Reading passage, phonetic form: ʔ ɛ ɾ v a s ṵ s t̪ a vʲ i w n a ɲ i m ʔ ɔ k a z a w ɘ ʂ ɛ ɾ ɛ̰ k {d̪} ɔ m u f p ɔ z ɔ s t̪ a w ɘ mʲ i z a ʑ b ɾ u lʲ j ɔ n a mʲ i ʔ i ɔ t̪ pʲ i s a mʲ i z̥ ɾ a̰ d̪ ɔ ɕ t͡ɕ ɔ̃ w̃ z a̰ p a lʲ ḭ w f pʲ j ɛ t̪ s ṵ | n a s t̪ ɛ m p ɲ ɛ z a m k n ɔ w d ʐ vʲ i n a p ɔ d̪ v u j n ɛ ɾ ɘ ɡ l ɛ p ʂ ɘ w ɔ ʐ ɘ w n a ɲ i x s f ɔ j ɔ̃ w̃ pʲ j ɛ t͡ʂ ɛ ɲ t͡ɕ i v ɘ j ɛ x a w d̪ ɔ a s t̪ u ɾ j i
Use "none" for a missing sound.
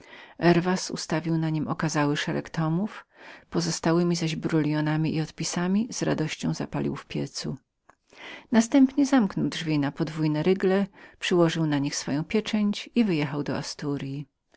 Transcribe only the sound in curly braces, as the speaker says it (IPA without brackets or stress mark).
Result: t̪